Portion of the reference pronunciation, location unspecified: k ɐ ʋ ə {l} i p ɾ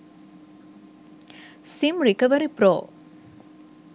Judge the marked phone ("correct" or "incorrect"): incorrect